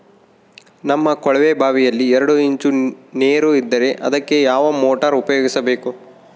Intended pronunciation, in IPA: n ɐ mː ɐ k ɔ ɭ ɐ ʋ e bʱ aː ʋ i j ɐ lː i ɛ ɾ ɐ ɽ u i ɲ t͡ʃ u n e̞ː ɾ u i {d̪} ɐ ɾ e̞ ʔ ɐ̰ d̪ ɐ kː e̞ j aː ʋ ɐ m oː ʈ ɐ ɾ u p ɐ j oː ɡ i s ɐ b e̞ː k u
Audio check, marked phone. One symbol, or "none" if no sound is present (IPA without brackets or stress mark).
d̪ː